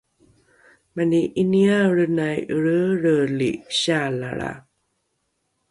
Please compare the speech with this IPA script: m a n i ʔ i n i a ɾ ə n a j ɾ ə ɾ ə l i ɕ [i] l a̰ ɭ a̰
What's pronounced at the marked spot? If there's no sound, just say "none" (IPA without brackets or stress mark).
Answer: a